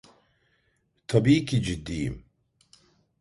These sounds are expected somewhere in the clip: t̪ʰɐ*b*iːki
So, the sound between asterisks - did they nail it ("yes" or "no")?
yes